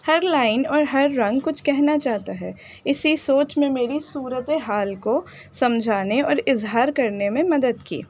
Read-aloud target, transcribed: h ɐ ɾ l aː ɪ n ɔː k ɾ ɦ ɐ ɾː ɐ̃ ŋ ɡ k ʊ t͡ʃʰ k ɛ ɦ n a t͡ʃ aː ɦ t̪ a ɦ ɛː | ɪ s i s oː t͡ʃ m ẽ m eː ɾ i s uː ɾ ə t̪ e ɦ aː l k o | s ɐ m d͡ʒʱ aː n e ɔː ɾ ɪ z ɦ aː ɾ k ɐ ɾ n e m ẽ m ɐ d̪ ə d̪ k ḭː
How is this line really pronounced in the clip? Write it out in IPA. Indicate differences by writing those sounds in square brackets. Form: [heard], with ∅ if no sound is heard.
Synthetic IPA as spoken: h ɐ ɾ l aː ɪ n ɔː [∅] ɾ ɦ ɐ ɾː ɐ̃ ŋ ɡ k ʊ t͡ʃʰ k ɛ ɦ n a t͡ʃ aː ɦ t̪ a ɦ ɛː | ɪ s i s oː t͡ʃ m ẽ m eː ɾ i s uː ɾ ə t̪ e ɦ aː l k o | s ɐ m d͡ʒʱ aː n e ɔː ɾ ɪ z ɦ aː ɾ k ɐ ɾ n e m ẽ m ɐ d̪ ə d̪ k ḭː